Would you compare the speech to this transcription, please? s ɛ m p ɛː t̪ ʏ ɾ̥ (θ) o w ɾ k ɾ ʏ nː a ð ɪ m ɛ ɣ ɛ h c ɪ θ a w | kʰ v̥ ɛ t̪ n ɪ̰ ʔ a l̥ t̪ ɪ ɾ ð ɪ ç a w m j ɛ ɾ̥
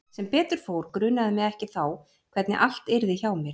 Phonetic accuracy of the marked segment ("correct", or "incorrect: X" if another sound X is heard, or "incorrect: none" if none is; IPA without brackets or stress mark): incorrect: f